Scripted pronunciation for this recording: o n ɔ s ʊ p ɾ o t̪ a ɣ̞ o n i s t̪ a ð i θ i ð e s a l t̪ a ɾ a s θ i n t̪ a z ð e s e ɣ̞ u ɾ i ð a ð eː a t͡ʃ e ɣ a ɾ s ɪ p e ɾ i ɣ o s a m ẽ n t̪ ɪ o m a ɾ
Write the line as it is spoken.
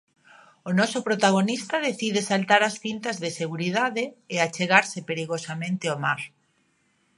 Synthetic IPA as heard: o n ɔ s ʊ p ɾ o t̪ a ɣ̞ o n i s t̪ a ð e θ i ð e s a l t̪ a ɾ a s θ i n t̪ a z ð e s e ɣ̞ u ɾ i ð a ð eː a t͡ʃ e ɣ a ɾ s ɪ p e ɾ i ɣ o s a m ẽ n t̪ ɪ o m a ɾ